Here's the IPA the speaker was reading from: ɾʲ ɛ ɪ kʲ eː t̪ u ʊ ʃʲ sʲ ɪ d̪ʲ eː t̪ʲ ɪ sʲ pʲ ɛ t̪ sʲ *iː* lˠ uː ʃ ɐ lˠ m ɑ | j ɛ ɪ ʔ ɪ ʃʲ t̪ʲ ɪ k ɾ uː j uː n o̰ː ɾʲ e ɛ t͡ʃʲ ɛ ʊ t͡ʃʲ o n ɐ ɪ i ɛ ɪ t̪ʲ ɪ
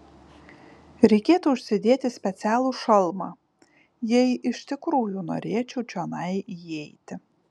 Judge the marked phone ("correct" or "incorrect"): incorrect